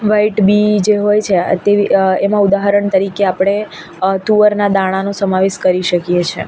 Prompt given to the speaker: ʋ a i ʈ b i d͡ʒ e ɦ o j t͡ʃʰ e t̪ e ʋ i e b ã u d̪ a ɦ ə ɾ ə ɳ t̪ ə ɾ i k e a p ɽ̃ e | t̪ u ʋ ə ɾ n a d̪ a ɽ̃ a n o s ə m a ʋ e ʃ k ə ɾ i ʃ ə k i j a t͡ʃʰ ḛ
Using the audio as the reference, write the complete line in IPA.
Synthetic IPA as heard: ʋ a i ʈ b i d͡ʒ e ɦ o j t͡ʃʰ e t̪ e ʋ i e m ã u d̪ a ɦ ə ɾ ə ɳ t̪ ə ɾ i k e a p ɽ̃ e | t̪ u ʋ ə ɾ n a d̪ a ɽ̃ a n o s ə m a ʋ e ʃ k ə ɾ i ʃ ə k i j e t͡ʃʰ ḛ